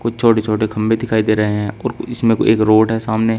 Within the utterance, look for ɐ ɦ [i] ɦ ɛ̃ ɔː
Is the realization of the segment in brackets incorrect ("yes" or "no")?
yes